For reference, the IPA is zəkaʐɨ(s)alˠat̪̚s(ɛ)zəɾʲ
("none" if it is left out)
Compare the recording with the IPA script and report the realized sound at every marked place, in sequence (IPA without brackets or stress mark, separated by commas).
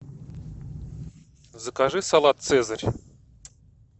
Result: s, ɛ